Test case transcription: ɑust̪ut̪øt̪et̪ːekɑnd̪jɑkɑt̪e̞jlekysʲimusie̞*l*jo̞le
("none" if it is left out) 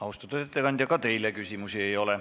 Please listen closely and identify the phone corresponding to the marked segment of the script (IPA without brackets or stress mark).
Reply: none